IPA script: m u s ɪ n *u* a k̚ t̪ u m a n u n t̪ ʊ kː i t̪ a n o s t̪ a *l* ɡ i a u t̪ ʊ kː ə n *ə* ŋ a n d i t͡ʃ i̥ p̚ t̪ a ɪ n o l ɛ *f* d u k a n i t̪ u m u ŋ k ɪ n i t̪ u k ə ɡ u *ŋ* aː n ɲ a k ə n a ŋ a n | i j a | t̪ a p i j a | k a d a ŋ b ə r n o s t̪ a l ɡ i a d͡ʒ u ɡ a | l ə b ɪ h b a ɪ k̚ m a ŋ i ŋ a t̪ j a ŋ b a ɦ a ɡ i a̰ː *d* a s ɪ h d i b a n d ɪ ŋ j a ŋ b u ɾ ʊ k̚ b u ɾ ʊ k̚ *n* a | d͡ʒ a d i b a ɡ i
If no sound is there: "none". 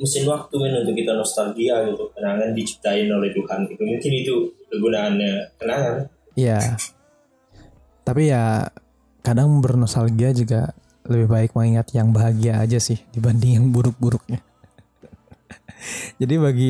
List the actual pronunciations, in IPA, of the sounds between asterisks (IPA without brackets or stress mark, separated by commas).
w, l, a, h, n, d͡ʒ, ɲ